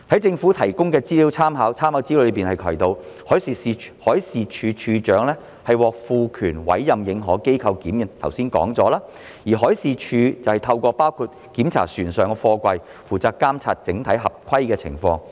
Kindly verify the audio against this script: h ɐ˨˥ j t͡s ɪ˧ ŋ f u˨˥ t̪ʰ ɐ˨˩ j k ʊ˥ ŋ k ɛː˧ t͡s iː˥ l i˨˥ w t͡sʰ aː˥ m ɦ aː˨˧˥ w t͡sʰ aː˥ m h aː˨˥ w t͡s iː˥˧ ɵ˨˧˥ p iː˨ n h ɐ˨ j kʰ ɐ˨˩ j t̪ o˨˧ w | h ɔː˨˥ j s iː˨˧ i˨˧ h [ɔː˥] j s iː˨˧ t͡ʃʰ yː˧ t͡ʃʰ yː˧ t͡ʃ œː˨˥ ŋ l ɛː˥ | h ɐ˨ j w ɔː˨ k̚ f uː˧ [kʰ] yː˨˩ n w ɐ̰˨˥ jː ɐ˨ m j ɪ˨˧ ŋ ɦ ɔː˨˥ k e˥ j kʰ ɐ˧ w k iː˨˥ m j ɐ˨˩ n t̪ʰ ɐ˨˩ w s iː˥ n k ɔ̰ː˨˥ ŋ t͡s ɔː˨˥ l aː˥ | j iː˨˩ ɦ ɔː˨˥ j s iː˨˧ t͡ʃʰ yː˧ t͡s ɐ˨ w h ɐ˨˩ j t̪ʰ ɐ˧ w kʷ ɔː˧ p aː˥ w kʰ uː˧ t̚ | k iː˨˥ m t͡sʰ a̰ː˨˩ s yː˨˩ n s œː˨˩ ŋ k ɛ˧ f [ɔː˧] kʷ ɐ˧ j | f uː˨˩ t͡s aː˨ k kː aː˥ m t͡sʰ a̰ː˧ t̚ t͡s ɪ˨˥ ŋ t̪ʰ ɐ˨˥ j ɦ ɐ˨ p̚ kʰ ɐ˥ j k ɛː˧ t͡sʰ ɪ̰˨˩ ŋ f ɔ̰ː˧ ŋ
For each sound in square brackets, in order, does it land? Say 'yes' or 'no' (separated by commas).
no, yes, yes